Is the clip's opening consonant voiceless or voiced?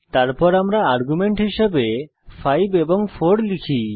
voiceless